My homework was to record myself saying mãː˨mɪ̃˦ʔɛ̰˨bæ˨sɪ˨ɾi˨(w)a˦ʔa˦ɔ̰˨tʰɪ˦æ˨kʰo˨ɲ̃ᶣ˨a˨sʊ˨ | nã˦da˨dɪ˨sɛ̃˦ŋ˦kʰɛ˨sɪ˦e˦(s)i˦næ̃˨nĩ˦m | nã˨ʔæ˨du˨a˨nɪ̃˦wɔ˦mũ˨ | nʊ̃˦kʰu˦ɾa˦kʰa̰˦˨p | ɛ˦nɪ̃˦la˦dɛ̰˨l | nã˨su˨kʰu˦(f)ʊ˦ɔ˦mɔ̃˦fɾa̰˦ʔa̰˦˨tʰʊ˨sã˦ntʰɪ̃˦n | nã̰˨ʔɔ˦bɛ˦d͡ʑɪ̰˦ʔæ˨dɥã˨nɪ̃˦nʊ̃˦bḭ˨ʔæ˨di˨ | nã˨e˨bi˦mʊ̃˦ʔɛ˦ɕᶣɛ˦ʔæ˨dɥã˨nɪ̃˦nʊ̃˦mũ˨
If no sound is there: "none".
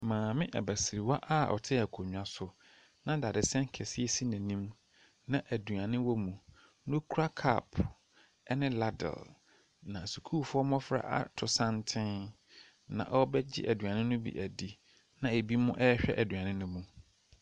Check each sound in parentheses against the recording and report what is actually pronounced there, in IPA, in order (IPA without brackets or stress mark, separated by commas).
w, s, f